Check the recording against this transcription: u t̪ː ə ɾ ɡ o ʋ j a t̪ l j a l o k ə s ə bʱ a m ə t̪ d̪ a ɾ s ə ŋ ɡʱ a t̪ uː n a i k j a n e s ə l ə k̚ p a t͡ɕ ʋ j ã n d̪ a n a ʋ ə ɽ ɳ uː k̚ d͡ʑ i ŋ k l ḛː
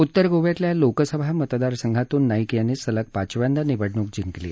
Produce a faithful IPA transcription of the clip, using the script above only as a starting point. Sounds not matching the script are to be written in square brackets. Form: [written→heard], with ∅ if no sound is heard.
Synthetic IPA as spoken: u t̪ː ə ɾ ɡ o ʋ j a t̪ l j a l o k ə s ə bʱ a m ə t̪ d̪ a ɾ s ə ŋ ɡʱ a t̪ uː [n→nː] a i k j a n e s ə l ə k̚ p a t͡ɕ ʋ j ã n d̪ a n [a→i] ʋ ə ɽ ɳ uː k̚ d͡ʑ i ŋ k l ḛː

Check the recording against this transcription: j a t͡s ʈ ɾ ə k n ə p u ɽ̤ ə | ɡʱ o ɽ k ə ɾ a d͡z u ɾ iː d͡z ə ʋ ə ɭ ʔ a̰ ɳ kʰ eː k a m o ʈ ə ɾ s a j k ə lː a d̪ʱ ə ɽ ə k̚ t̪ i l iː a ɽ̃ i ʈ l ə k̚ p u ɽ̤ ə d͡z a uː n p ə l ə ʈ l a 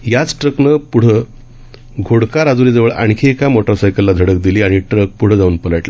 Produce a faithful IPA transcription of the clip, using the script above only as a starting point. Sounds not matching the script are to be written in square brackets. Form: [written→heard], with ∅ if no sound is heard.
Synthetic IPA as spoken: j a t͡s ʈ ɾ ə k n ə p u ɽ̤ ə | ɡʱ o ɽ k [ə→a] ɾ a d͡z u ɾ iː d͡z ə ʋ ə ɭ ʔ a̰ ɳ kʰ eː k a m o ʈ ə ɾ s a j k ə lː a d̪ʱ ə ɽ ə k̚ [t̪→d̪] i l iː a ɽ̃ i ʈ [l→ɾ] ə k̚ p u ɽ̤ ə d͡z a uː n p ə l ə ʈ l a

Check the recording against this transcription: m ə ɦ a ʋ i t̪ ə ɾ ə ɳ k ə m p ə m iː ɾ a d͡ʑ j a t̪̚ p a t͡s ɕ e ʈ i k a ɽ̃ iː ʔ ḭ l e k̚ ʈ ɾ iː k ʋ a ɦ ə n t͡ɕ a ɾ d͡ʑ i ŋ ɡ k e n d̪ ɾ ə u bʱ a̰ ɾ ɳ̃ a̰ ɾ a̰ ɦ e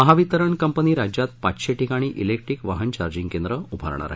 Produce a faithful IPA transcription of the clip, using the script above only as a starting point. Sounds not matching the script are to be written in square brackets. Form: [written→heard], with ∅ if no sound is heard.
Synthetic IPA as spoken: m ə ɦ a ʋ i t̪ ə ɾ ə ɳ k ə m p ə [m→n] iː ɾ a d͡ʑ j a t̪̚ p a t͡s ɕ e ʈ i k a ɽ̃ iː ʔ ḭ l e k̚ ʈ ɾ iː k ʋ a ɦ ə n t͡ɕ a ɾ d͡ʑ i ŋ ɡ k e n d̪ ɾ ə u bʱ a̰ ɾ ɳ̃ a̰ ɾ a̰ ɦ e

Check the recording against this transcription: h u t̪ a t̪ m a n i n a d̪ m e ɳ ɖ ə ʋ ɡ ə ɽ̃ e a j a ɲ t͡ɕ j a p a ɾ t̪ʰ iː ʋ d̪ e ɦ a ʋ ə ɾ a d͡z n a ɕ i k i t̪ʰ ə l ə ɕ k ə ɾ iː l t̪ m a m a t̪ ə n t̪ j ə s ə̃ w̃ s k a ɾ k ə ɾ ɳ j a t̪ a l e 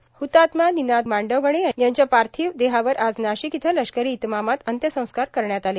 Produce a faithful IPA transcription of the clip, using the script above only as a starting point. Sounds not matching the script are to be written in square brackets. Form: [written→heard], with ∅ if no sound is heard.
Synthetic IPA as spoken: h u t̪ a t̪ m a n i n a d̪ m [e→a] ɳ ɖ ə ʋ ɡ ə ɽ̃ e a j a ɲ t͡ɕ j a p a ɾ t̪ʰ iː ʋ d̪ e ɦ a ʋ ə ɾ a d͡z n a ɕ i k i t̪ʰ ə l ə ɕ k ə ɾ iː [l→∅] t̪ m a m a t̪ ə n t̪ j ə s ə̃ w̃ s k a ɾ k ə ɾ ɳ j a t̪ a l e

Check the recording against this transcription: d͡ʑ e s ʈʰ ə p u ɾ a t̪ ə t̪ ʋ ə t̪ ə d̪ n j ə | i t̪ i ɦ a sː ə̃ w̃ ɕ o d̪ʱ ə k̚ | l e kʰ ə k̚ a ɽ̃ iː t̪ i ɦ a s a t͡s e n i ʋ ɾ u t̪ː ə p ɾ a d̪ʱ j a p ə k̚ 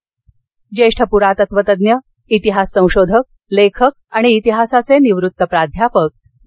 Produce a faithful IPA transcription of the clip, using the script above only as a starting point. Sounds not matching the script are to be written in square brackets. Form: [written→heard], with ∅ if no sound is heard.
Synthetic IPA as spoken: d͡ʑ e [s→ʂ] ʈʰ ə p u ɾ a t̪ ə t̪ ʋ ə t̪ ə d̪ n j ə | i t̪ i ɦ a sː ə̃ w̃ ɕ o d̪ʱ ə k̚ | l e kʰ ə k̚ a ɽ̃ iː t̪ i ɦ a s a t͡s e n i ʋ ɾ u t̪ː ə p ɾ a d̪ʱ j a p ə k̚

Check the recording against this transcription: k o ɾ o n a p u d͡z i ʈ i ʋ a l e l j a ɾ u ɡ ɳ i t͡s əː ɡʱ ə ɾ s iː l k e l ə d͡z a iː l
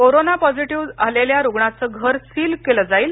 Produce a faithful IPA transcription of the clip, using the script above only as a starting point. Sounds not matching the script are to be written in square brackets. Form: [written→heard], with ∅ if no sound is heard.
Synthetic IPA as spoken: k o ɾ o n a p [u→ɔ] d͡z i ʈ i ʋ a l e l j a ɾ u ɡ ɳ [i→a] t͡s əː ɡʱ ə ɾ s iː l k e l ə d͡z a iː l

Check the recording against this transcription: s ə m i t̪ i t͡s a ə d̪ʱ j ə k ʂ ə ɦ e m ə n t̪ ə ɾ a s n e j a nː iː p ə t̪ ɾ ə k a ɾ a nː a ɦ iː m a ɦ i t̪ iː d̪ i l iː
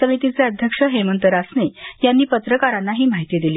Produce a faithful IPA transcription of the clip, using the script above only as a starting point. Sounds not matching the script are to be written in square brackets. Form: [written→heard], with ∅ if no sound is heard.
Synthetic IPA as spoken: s ə m i t̪ i t͡s [a→e] ə d̪ʱ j ə k ʂ ə ɦ e m ə n t̪ ə ɾ a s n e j a nː iː p ə t̪ ɾ ə k a ɾ a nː a ɦ iː m a ɦ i t̪ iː d̪ i l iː

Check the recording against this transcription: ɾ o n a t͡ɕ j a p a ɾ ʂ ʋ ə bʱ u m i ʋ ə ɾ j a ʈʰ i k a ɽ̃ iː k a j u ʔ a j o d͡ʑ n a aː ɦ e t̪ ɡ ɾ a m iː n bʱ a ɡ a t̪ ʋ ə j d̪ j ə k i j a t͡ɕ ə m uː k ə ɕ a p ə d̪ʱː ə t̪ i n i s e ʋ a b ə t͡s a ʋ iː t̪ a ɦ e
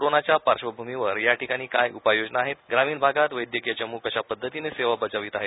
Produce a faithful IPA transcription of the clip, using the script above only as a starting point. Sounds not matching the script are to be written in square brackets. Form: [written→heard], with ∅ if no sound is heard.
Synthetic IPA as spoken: ɾ o n a t͡ɕ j a p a ɾ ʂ ʋ ə bʱ u m i ʋ ə ɾ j a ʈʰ i k a ɽ̃ iː k a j u [ʔ→p] a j o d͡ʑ n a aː ɦ e t̪ ɡ ɾ a m iː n bʱ a ɡ a t̪ ʋ ə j d̪ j ə k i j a t͡ɕ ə m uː k ə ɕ a p ə d̪ʱː ə t̪ i n [i→e] s e ʋ a b ə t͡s a ʋ iː t̪ a ɦ e

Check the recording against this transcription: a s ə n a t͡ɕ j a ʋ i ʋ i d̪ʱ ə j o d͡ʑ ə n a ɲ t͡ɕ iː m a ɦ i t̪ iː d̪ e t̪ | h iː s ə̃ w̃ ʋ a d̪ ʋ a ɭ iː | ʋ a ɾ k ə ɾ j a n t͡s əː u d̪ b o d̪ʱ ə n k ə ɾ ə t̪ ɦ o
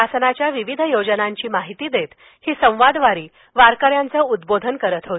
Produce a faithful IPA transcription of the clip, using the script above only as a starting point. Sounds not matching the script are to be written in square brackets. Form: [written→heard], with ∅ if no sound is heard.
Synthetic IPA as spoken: a s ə n a t͡ɕ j a ʋ i ʋ i d̪ʱ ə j o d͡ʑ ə n a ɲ t͡ɕ iː m a ɦ i t̪ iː d̪ e t̪ | h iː s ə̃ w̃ ʋ a d̪ ʋ a [ɭ→ɾ] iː | ʋ a ɾ k ə ɾ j a n t͡s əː u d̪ b o d̪ʱ ə n k ə ɾ ə t̪ ɦ o

